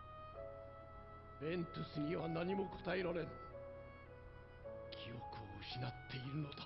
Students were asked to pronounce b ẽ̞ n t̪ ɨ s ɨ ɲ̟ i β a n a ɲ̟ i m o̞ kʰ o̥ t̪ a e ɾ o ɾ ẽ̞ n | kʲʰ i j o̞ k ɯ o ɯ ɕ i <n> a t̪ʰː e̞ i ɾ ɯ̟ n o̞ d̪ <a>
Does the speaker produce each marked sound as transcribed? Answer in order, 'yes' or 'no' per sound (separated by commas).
yes, yes